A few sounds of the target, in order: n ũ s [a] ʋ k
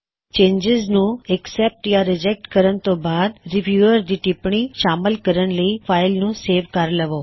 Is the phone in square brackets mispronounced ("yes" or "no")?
yes